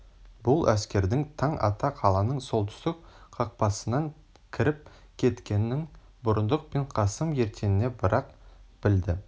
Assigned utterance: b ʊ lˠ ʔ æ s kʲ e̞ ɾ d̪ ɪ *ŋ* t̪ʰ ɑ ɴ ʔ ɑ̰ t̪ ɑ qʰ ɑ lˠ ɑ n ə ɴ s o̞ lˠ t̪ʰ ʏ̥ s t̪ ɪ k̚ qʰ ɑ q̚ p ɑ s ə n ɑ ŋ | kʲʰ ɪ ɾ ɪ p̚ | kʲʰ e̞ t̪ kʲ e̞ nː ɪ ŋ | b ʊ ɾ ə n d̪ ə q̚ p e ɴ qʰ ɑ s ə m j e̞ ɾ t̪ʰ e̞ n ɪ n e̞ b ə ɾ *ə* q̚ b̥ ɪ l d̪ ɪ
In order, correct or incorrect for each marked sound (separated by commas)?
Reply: correct, incorrect